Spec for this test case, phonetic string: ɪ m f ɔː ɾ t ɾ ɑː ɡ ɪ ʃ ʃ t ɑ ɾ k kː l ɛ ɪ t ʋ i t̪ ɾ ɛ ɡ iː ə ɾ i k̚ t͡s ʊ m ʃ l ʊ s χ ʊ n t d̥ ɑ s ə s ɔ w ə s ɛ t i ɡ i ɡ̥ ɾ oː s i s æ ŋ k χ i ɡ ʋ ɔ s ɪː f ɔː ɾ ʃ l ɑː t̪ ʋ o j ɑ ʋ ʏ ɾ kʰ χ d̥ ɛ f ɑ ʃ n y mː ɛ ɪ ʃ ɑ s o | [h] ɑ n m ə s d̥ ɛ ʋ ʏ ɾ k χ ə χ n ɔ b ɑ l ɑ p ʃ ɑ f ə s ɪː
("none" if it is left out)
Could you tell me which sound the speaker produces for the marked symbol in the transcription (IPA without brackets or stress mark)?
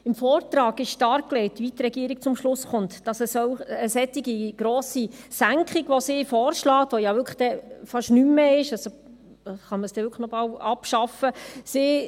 χ